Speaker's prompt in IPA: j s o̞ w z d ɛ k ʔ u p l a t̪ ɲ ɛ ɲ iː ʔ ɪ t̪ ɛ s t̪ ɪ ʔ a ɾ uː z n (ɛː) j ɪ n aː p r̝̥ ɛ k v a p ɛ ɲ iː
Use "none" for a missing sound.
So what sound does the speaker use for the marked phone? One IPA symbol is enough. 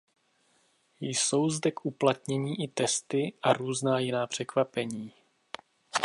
aː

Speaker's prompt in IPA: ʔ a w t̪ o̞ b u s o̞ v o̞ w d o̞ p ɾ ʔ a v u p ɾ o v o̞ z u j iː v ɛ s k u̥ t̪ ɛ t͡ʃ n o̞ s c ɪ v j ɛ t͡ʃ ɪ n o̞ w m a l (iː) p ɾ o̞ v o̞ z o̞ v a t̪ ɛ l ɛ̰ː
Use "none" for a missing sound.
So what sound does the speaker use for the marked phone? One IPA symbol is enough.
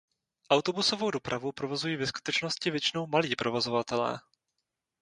iː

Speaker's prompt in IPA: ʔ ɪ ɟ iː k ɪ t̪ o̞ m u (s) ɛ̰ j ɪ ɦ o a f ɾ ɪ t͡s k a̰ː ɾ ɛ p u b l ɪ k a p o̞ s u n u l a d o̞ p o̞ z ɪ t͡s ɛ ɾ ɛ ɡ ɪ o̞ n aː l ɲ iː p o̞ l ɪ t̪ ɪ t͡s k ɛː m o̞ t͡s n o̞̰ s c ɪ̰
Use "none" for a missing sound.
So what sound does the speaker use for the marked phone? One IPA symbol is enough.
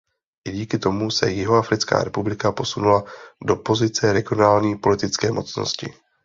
s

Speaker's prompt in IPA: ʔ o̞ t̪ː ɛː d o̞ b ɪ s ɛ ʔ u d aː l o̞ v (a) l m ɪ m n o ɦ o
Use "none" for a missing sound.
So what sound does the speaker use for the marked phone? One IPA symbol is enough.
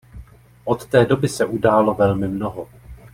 ɛ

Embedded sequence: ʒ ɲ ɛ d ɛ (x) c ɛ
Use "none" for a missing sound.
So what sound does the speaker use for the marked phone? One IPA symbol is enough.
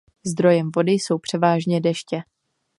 ʃ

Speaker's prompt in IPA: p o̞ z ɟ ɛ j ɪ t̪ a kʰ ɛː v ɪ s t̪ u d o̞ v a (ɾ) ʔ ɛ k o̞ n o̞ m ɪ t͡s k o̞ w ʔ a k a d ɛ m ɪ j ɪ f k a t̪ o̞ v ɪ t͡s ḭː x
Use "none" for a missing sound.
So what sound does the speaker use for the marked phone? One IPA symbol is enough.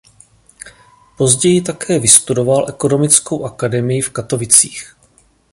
l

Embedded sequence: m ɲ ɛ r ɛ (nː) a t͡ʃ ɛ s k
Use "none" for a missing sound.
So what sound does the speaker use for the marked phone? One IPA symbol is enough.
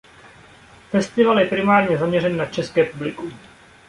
nː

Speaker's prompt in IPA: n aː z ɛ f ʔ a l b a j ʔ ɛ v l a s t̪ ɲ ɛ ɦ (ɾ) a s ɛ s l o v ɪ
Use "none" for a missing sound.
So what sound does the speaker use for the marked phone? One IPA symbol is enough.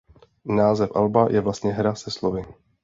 ɾ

